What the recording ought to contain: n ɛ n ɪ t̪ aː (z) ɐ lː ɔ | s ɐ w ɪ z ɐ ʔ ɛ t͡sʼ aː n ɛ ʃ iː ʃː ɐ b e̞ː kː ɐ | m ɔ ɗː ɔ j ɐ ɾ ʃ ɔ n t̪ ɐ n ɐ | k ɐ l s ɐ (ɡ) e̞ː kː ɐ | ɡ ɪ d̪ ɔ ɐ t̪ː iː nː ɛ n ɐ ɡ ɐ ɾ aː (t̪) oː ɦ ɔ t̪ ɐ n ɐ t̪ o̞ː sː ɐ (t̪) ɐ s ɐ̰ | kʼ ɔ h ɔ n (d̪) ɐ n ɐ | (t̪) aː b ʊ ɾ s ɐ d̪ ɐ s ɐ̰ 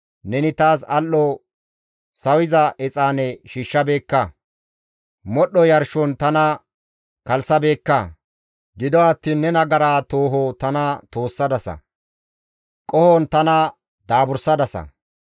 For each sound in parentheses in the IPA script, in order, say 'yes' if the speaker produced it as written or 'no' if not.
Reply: no, no, yes, no, no, no

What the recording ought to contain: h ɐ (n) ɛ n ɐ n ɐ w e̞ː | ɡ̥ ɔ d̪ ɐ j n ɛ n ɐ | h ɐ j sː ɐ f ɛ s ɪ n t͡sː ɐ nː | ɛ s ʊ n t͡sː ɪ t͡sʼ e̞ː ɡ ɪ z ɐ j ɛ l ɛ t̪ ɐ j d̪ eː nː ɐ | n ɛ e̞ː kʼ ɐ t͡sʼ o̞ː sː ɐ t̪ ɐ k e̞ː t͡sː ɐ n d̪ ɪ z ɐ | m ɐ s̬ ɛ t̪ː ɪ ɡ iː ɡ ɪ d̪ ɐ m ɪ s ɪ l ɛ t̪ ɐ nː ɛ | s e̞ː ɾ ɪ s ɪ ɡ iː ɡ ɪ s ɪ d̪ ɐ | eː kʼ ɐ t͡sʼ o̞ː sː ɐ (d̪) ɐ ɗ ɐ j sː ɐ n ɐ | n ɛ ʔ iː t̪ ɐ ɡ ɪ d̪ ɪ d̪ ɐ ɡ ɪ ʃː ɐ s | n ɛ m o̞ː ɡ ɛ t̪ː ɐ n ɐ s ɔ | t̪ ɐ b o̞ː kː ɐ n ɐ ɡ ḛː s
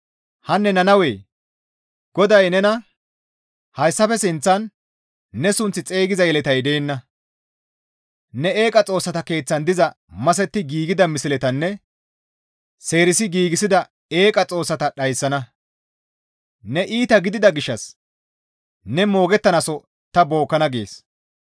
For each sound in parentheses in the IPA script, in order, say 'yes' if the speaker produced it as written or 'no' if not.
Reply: no, no

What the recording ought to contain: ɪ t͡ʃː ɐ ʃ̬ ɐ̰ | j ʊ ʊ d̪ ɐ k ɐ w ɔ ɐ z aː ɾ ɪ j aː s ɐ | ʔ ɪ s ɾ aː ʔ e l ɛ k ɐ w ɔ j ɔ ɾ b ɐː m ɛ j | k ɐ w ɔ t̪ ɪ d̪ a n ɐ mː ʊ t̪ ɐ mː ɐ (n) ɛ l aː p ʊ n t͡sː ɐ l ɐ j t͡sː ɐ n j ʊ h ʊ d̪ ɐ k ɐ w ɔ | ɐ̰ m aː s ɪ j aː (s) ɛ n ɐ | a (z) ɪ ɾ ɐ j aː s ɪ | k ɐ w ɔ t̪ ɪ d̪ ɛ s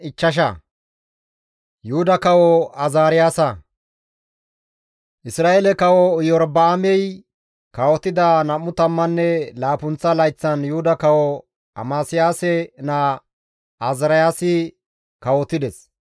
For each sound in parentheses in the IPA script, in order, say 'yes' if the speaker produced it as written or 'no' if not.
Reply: no, yes, yes

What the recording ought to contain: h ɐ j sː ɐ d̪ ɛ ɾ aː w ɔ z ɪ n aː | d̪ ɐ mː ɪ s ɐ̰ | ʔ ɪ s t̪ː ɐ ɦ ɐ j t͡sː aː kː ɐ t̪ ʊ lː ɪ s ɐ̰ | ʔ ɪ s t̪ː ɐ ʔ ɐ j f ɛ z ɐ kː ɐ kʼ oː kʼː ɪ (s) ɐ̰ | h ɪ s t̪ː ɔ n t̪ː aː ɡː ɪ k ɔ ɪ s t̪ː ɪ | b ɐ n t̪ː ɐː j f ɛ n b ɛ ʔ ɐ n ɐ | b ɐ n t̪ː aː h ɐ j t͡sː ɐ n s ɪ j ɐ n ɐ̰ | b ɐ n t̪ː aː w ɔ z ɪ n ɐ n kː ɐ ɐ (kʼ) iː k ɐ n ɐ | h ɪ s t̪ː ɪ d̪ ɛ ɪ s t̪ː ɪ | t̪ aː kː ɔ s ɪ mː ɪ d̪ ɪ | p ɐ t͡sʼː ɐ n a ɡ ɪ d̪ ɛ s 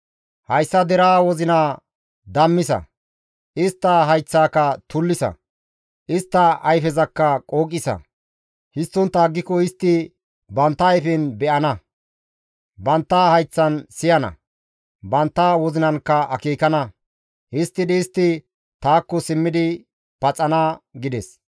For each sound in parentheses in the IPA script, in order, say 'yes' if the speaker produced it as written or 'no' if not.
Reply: yes, no

